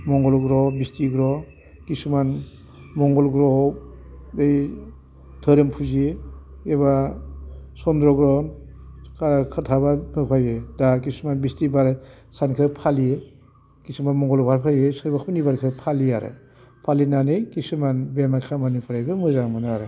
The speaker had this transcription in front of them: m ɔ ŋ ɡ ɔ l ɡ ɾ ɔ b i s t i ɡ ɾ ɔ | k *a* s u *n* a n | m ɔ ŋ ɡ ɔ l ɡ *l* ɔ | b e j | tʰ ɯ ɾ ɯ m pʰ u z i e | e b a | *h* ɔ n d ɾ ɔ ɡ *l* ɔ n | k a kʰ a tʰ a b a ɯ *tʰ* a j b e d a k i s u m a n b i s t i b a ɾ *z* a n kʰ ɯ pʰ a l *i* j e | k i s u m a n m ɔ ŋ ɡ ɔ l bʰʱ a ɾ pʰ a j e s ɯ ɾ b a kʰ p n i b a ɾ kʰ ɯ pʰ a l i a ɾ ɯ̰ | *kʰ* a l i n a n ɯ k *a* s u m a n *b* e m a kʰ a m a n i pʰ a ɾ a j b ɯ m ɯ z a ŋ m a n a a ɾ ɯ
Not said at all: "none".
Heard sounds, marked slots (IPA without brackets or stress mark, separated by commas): i, m, ɾ, s, ɾ, pʰ, s, i, pʰ, i, b